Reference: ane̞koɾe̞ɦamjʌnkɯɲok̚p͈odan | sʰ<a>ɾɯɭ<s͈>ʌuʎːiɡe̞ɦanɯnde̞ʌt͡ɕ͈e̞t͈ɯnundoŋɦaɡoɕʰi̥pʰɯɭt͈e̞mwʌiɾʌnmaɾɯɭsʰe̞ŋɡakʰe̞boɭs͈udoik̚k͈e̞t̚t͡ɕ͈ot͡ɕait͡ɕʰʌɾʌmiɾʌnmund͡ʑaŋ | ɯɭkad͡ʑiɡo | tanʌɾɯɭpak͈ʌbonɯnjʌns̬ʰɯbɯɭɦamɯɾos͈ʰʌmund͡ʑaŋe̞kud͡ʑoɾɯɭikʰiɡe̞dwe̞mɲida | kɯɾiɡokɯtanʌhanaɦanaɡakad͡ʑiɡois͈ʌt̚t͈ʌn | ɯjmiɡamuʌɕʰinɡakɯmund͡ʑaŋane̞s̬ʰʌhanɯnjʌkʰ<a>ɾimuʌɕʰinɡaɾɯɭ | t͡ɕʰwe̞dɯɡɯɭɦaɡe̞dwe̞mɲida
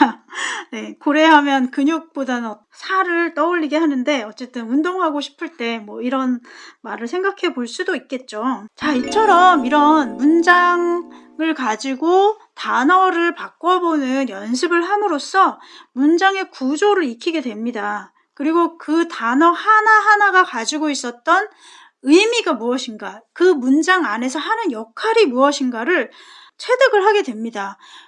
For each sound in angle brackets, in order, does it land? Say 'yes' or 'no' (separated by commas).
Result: yes, no, yes